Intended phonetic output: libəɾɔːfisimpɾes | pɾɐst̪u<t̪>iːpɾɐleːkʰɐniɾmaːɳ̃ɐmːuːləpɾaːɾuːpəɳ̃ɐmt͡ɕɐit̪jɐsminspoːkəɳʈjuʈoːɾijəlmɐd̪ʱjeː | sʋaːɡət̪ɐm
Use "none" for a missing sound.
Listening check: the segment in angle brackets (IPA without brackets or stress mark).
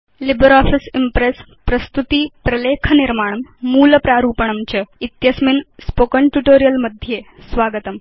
t̪